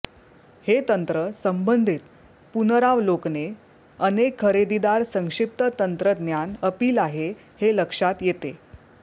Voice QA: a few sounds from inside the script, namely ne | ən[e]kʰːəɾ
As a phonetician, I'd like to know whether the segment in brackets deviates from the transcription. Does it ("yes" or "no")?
no